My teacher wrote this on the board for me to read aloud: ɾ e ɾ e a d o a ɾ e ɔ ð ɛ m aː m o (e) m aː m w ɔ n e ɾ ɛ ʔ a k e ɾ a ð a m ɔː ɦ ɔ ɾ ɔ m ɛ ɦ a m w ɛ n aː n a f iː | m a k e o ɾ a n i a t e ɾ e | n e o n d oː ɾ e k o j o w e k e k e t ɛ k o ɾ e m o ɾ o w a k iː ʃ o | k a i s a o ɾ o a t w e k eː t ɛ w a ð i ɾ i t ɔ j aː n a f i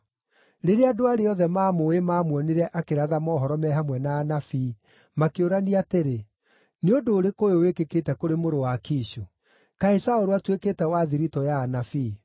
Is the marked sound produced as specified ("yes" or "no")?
yes